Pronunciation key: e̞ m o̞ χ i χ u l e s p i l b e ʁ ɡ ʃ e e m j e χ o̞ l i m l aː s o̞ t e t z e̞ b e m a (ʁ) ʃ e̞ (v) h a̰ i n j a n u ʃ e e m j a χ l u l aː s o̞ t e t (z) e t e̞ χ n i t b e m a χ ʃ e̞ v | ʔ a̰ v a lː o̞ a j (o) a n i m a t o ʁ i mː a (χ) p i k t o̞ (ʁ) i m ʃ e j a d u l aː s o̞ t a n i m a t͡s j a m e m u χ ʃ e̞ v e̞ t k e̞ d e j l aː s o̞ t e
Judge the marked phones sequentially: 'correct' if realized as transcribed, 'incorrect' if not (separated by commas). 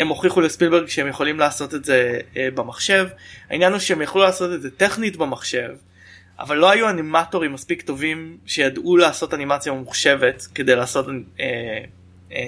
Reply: incorrect, correct, correct, incorrect, incorrect, incorrect